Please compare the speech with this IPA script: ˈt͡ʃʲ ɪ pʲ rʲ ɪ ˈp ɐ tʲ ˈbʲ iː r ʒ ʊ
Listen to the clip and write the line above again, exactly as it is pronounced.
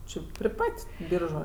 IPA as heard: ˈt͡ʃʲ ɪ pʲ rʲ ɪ ˈp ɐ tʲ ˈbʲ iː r ʒ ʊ